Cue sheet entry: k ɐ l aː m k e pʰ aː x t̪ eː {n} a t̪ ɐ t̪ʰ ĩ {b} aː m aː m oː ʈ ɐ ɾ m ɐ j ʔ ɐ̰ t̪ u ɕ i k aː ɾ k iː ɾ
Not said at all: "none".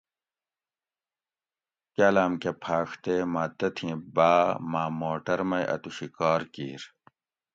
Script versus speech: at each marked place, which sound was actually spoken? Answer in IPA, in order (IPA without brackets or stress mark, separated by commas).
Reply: m, b